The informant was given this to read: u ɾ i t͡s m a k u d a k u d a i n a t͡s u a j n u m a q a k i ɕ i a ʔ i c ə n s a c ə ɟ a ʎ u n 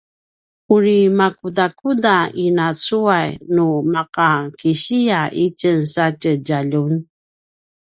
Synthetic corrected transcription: u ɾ i m a k u d a k u d a i n a t͡s u a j n u m a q a k i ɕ i a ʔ i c ə n s a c ə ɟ a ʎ u n